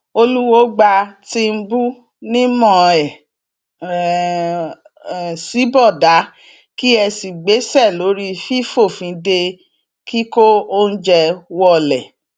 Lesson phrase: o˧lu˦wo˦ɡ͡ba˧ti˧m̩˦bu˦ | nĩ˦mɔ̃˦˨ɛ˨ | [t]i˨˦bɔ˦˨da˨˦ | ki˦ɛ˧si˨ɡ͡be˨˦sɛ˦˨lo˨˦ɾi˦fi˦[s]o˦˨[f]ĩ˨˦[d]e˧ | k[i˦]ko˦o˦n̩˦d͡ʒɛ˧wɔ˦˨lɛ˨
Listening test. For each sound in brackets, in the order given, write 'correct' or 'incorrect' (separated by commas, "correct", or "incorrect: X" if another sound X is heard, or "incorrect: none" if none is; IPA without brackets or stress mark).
incorrect: s, incorrect: f, correct, correct, correct